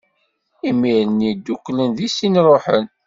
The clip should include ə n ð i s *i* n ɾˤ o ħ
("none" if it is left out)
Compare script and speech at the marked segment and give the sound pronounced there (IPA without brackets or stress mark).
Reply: i